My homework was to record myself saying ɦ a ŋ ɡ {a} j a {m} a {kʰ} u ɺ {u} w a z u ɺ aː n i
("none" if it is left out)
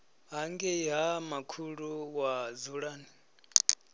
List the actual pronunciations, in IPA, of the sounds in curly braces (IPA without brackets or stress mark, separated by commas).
ɛ, m, kʰ, u